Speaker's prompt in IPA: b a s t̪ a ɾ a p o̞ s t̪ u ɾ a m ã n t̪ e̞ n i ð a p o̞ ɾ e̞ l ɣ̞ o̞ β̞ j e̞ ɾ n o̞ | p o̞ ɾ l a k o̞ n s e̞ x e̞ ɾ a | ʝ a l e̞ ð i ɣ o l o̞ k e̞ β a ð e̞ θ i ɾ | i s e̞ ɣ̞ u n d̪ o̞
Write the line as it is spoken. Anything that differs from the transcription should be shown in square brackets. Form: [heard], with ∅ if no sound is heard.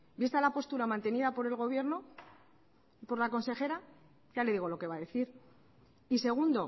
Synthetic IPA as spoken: b [i] s t̪ a [l] a p o̞ s t̪ u ɾ a m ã n t̪ e̞ n i ð a p o̞ ɾ e̞ l ɣ̞ o̞ β̞ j e̞ ɾ n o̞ | p o̞ ɾ l a k o̞ n s e̞ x e̞ ɾ a | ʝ a l e̞ ð i ɣ o l o̞ k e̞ β a ð e̞ θ i ɾ | i s e̞ ɣ̞ u n d̪ o̞